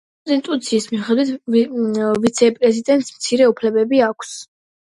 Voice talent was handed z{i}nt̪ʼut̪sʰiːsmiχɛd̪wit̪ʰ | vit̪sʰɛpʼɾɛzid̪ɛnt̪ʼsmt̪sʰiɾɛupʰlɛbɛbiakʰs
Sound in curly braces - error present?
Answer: no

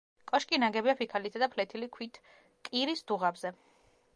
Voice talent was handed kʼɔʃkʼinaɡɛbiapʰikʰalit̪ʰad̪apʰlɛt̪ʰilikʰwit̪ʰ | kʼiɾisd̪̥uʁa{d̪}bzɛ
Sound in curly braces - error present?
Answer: yes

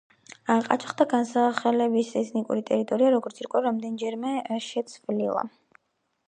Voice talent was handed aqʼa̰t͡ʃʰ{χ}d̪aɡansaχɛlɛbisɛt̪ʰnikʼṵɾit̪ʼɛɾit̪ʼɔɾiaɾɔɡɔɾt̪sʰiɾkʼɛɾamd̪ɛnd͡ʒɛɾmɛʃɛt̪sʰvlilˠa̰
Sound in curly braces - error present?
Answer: no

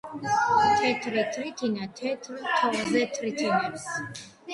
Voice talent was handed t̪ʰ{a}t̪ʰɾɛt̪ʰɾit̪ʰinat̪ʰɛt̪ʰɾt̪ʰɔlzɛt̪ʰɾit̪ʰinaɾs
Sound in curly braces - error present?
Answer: yes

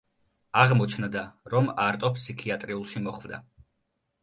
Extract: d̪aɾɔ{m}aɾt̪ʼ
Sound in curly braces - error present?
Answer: no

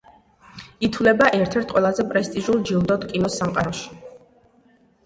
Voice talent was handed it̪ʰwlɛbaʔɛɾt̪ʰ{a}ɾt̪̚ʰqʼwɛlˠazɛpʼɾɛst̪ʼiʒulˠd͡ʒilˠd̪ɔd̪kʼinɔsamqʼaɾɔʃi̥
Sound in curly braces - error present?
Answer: yes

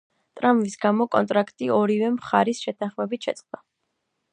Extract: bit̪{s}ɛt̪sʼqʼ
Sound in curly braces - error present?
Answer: yes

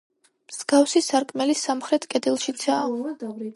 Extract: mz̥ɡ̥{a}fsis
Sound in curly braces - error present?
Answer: no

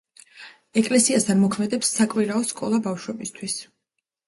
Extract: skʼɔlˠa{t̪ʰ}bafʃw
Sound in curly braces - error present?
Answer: yes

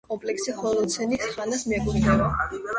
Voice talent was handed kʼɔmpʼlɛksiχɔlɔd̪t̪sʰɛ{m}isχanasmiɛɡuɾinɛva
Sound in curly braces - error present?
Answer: yes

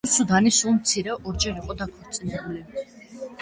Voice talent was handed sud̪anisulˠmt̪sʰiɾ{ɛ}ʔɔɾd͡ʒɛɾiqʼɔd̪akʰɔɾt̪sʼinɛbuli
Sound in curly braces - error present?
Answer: no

